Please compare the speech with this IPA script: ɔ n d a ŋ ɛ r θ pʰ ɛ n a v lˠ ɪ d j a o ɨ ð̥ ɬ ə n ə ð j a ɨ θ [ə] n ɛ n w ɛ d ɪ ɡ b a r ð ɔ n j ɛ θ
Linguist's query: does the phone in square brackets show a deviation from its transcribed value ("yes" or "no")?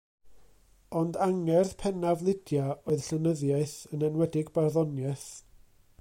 no